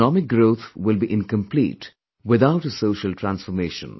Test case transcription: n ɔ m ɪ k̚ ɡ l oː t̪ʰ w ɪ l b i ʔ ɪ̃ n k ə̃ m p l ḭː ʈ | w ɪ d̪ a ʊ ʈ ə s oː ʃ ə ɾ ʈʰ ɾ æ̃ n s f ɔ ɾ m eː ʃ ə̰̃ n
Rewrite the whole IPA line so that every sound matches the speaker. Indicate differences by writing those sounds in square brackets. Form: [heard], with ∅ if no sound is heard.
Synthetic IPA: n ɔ m ɪ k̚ ɡ [ɾ] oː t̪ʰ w ɪ l b i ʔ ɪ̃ n k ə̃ m p l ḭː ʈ | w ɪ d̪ a ʊ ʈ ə s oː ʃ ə [l] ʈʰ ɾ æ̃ n s f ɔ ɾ m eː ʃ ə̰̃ n